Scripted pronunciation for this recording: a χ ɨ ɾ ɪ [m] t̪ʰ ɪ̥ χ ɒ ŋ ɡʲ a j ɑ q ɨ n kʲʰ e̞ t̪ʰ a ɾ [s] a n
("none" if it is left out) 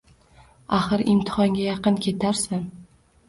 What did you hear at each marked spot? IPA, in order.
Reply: m, s

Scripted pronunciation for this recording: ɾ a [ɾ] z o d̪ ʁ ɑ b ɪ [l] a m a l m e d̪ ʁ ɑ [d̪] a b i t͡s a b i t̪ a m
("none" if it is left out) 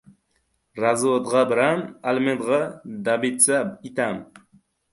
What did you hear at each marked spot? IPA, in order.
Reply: none, ɾ, d̪

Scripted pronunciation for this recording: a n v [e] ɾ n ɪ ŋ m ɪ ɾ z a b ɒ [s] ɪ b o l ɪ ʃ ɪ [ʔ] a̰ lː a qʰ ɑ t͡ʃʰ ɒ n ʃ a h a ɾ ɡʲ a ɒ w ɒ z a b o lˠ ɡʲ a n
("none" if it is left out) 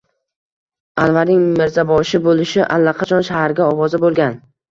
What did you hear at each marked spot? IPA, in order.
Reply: a, ʃ, ʔ

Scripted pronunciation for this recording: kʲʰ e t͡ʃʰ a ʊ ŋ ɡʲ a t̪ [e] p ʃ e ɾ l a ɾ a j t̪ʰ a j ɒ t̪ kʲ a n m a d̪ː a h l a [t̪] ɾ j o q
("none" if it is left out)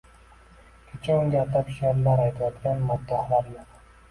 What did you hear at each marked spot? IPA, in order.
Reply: a, none

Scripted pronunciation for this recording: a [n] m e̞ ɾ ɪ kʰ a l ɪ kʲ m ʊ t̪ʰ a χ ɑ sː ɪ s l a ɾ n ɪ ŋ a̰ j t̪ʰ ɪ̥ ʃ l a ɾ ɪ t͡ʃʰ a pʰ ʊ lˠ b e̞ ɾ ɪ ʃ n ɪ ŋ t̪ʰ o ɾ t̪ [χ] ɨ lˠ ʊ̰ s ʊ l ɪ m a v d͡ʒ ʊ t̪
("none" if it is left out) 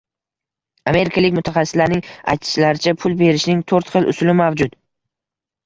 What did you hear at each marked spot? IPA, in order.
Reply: none, χ

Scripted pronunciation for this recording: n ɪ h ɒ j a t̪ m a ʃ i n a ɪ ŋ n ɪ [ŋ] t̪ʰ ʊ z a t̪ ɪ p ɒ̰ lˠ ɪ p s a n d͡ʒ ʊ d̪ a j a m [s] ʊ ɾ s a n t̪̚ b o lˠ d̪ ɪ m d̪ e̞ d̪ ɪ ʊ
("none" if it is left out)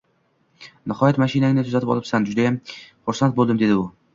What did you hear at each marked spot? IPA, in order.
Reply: none, χ

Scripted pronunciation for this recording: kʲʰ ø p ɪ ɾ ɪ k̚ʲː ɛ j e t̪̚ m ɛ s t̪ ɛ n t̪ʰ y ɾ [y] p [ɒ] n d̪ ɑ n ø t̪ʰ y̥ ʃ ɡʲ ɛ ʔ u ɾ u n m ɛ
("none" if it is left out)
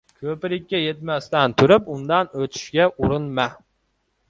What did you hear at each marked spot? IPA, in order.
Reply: y, u

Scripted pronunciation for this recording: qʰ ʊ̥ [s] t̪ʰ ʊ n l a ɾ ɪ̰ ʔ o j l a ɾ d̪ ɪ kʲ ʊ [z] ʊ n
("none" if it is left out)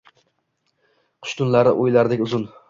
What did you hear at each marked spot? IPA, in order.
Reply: ʃ, z

